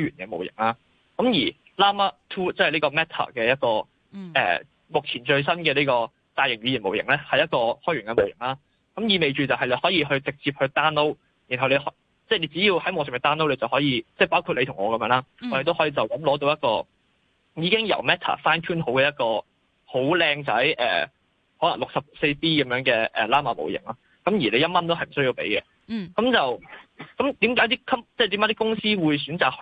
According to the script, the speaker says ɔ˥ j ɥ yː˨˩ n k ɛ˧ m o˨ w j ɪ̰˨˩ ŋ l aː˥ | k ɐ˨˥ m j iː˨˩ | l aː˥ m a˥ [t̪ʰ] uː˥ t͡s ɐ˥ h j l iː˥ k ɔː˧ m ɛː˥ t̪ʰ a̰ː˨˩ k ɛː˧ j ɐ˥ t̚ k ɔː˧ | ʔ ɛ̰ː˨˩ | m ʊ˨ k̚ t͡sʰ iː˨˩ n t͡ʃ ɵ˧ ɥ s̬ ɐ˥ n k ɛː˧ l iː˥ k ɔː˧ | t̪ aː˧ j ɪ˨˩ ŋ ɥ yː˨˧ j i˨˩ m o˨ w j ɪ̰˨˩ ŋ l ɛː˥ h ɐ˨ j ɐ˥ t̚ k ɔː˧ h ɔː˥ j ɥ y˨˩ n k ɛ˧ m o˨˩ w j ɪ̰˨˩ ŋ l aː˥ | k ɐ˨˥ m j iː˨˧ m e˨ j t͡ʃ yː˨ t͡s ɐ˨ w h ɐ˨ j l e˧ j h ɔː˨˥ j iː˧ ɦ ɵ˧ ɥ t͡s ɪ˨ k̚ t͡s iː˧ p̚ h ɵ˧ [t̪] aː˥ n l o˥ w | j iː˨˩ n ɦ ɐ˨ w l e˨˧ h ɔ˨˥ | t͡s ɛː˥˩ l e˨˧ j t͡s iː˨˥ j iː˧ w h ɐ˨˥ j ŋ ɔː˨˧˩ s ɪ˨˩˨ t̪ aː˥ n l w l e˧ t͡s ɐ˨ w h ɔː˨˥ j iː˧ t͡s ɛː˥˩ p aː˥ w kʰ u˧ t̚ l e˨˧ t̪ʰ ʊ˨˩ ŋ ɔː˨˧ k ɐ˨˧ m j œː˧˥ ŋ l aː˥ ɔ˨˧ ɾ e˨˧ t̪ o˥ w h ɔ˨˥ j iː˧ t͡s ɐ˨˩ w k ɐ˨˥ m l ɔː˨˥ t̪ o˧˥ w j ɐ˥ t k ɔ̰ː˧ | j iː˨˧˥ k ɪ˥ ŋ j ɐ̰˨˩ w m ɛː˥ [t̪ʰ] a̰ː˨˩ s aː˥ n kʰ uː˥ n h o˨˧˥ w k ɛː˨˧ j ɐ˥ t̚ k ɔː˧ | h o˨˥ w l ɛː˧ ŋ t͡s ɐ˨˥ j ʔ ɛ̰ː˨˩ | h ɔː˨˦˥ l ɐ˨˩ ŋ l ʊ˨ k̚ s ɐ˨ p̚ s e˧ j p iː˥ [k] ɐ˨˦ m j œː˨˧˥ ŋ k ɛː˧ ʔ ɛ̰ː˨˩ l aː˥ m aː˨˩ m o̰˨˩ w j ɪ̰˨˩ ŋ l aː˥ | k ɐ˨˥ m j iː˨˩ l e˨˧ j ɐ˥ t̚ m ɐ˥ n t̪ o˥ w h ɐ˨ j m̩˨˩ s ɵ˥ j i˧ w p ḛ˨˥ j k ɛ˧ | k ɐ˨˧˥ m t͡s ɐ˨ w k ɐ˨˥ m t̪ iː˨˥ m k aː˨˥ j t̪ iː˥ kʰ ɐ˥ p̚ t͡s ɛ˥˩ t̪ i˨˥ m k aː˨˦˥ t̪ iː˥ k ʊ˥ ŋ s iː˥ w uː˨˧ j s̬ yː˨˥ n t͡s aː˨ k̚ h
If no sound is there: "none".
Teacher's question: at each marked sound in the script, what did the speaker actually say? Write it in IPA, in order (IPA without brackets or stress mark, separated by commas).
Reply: t̪ʰ, t̪, t̪ʰ, k